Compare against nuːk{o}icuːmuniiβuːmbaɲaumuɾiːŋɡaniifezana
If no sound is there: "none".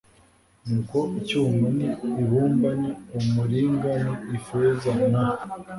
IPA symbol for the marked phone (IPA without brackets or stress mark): o